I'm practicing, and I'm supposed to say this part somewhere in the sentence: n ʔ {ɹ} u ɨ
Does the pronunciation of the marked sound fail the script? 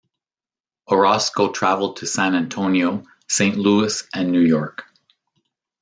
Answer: yes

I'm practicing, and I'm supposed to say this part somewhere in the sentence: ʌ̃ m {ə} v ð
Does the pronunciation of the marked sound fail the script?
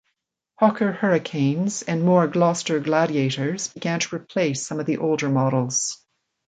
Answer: yes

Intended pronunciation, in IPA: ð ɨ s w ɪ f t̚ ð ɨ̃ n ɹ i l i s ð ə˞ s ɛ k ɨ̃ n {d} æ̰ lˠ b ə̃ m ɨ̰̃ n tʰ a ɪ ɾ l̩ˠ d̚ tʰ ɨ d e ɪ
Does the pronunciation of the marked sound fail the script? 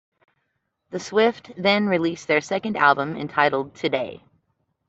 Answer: no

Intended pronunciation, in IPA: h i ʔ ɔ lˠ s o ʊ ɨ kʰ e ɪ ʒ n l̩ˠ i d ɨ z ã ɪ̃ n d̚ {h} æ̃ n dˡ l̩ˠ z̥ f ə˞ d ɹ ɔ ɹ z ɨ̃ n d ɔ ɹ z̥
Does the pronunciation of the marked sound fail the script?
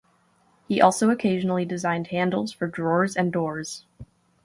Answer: no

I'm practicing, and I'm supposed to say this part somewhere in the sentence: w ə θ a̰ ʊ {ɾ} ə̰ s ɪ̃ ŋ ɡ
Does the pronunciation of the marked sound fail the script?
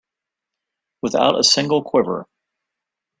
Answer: no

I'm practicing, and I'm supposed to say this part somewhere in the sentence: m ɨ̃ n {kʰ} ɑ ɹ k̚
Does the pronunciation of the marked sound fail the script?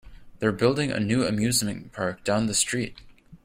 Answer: yes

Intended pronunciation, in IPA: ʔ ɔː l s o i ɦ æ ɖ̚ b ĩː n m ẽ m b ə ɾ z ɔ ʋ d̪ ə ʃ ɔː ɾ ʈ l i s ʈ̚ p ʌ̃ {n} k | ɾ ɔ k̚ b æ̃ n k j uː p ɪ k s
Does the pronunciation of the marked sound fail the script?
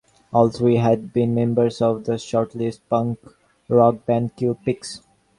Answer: yes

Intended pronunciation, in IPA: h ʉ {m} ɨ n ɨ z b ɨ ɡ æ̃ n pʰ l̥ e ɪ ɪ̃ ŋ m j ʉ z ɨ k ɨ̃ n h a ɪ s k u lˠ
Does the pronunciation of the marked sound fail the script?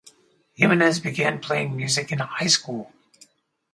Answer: no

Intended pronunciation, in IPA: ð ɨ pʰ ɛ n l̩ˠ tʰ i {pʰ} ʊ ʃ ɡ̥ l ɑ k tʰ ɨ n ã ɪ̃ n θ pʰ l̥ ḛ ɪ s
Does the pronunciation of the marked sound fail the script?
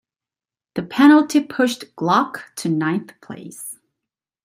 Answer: no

